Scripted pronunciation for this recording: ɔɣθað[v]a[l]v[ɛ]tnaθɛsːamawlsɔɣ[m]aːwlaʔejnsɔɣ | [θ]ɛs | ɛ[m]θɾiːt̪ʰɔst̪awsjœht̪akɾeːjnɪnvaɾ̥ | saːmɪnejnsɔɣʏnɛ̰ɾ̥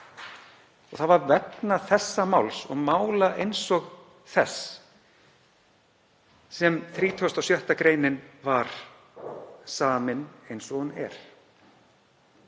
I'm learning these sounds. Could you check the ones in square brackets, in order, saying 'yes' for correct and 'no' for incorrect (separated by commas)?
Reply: yes, no, yes, yes, yes, yes